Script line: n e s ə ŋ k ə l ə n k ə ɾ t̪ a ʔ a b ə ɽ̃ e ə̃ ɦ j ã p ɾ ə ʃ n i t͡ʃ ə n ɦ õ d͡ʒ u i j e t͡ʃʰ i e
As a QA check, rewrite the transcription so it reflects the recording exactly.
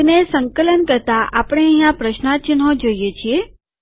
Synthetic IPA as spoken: n e s ə ŋ k ə l ə n k ə ɾ t̪ a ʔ a p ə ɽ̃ e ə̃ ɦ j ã p ɾ ə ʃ n a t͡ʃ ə n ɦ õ d͡ʒ o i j e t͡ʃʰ i e